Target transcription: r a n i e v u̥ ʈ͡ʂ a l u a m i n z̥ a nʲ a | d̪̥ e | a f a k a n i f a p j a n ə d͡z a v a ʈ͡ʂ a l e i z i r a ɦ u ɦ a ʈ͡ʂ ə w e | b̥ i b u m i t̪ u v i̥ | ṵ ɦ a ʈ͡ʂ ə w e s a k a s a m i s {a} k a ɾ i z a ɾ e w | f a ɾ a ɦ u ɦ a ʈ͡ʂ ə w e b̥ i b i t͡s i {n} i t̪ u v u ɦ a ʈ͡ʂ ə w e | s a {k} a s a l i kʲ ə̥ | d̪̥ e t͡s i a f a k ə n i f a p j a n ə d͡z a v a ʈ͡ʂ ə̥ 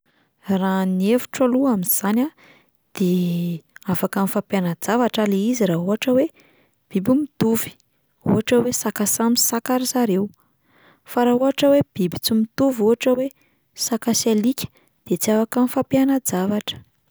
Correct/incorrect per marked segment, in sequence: correct, incorrect: m, correct

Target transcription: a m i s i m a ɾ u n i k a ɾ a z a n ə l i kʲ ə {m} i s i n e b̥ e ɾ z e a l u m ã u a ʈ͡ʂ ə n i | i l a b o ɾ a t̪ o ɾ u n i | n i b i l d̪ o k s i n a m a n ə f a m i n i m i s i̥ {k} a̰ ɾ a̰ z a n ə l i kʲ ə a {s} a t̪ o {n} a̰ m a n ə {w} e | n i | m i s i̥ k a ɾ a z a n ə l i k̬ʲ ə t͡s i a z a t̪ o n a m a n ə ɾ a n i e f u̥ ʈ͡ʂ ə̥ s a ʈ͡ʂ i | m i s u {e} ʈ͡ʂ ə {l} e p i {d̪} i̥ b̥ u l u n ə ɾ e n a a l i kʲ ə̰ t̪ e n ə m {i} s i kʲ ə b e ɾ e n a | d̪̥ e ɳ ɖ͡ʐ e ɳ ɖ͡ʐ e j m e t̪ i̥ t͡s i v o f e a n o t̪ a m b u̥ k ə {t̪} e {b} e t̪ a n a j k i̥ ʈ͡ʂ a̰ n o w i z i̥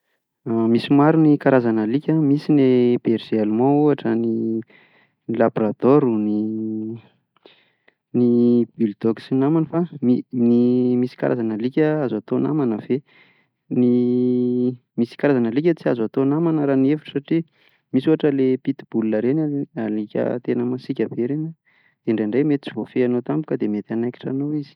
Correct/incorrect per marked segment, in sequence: correct, correct, incorrect: z, correct, incorrect: v, incorrect: a, correct, incorrect: t̪, incorrect: a, incorrect: d̪, incorrect: m

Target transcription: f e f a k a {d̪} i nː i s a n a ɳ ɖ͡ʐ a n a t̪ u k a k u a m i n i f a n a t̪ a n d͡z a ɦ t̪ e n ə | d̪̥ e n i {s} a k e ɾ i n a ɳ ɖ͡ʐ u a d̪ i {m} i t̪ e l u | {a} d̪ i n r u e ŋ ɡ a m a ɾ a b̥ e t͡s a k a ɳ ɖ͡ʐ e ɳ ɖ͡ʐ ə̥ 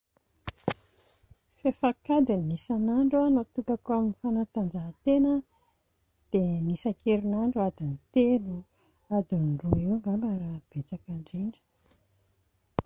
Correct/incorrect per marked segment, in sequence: correct, correct, incorrect: n, correct

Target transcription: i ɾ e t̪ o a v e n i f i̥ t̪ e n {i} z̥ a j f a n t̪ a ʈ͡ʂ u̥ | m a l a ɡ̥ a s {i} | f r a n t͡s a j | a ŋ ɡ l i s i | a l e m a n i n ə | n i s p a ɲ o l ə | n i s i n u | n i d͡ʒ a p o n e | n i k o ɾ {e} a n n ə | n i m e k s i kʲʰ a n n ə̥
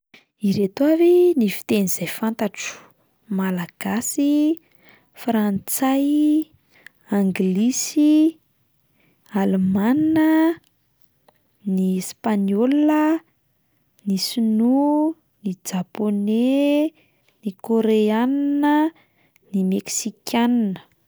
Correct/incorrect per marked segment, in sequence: correct, correct, correct

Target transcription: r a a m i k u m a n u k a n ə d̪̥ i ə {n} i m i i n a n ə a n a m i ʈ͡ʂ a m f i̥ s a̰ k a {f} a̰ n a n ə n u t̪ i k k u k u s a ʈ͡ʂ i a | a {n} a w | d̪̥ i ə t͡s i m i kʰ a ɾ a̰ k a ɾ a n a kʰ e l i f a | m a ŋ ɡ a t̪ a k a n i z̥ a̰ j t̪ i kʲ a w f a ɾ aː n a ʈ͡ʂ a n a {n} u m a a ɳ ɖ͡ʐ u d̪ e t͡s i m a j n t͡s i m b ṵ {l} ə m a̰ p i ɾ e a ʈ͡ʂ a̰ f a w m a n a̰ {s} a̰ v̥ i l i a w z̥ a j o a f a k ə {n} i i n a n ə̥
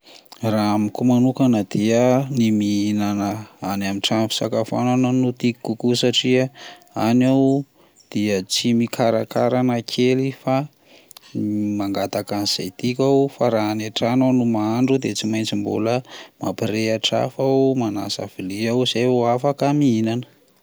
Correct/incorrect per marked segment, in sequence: correct, correct, correct, correct, correct, correct, incorrect: m

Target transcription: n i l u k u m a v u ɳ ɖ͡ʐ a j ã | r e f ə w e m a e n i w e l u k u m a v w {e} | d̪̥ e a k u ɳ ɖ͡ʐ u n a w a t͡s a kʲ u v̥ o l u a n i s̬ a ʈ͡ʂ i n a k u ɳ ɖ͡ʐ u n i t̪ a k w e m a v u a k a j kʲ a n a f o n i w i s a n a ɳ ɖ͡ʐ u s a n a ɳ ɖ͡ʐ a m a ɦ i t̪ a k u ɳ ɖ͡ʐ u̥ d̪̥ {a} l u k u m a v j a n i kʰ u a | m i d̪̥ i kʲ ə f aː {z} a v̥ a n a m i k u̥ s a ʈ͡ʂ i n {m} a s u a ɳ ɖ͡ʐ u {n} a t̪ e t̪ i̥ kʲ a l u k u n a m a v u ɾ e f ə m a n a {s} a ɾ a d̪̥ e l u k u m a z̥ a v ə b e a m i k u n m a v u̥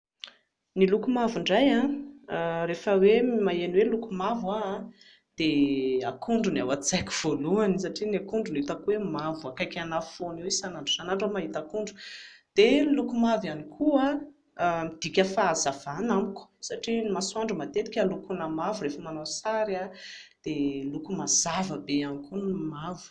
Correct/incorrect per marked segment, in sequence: incorrect: a, incorrect: e, correct, correct, incorrect: m, correct

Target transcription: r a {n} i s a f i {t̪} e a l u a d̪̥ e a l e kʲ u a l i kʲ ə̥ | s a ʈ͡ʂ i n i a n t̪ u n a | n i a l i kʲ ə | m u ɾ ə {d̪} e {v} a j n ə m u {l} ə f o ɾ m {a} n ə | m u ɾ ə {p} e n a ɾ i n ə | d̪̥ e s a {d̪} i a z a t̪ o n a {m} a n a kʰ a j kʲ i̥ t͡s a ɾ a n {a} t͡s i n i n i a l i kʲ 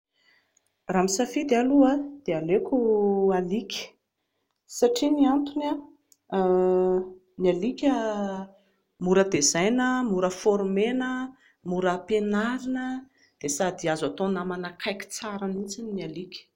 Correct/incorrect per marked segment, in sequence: incorrect: m, incorrect: d̪, correct, incorrect: z, incorrect: ɾ, incorrect: e, correct, correct, correct, incorrect: i

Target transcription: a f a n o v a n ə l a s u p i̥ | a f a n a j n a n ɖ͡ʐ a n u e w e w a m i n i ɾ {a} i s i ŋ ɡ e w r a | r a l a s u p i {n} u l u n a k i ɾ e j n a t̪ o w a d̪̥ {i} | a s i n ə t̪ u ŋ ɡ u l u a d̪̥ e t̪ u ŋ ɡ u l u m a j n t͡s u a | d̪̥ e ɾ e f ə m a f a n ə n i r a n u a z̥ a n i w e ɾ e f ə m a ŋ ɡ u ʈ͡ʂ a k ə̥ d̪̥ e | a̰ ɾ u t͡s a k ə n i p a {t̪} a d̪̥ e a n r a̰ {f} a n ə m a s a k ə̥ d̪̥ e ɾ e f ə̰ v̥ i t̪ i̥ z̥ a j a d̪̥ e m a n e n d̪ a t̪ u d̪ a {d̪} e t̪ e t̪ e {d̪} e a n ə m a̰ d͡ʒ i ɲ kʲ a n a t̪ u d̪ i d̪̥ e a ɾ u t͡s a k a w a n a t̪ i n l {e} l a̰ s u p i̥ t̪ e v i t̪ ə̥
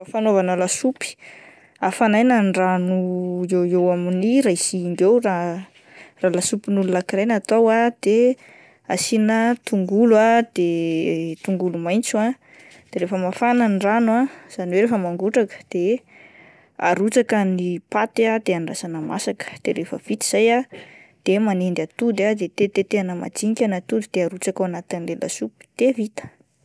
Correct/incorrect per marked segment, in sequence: correct, correct, incorrect: e, correct, incorrect: s, correct, incorrect: t̪, correct

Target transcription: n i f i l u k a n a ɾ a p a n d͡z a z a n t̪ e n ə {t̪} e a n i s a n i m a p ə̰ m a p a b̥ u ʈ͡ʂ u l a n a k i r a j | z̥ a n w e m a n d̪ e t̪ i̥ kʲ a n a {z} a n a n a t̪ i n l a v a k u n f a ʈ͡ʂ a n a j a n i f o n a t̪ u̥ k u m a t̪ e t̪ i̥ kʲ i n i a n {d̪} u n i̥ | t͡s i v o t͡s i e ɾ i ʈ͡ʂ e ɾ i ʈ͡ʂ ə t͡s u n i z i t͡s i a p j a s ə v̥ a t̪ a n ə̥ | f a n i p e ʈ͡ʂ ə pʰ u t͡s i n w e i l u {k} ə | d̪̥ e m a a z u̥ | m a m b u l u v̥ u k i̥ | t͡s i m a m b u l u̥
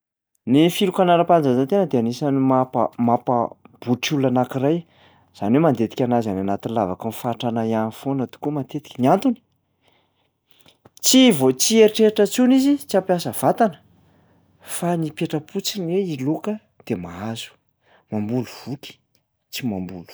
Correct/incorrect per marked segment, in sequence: incorrect: d̪, correct, incorrect: t̪, correct

